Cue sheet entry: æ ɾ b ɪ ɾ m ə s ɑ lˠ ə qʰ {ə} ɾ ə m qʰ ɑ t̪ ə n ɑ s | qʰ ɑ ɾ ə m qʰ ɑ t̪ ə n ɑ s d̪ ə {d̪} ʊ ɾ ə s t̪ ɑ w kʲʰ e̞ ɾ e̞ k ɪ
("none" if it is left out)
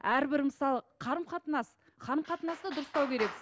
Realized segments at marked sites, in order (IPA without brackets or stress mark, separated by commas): ɑ, d̪